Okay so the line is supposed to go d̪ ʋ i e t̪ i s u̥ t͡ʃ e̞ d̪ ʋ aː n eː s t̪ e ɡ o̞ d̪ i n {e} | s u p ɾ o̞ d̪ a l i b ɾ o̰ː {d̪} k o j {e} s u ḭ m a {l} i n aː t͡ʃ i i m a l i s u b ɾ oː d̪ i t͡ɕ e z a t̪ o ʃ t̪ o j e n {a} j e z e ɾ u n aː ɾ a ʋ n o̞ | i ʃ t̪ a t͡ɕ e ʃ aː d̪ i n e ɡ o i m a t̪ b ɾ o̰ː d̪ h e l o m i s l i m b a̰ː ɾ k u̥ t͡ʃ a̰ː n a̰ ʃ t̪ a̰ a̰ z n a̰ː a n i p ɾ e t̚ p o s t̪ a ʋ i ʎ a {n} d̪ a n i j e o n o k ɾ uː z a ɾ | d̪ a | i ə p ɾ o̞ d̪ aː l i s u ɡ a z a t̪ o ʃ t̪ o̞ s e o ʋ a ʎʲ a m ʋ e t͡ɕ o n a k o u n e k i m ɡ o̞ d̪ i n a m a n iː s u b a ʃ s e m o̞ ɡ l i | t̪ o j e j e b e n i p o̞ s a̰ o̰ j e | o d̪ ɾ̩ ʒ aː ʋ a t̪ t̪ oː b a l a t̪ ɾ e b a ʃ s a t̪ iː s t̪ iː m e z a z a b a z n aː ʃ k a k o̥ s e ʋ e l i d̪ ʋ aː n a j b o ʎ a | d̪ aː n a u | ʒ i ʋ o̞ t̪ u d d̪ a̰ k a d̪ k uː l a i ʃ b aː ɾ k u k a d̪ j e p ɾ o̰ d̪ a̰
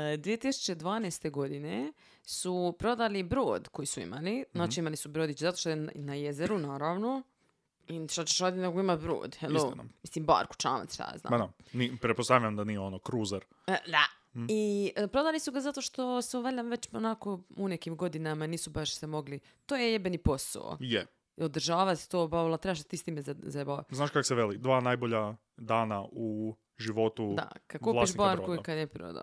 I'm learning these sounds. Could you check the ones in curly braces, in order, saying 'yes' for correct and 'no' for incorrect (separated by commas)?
yes, yes, no, yes, yes, no